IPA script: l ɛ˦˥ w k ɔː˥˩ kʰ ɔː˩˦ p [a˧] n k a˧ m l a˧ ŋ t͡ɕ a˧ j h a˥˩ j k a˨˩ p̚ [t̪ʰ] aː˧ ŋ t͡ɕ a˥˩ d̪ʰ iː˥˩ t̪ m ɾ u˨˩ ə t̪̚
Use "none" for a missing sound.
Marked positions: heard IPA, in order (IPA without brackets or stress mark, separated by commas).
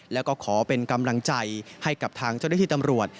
e˧, t̪ʰ